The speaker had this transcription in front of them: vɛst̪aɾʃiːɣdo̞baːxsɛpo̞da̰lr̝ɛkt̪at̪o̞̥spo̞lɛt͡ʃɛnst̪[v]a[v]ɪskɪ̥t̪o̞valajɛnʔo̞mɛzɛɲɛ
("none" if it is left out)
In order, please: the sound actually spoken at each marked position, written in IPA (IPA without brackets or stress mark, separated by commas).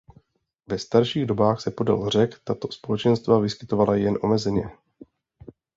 v, v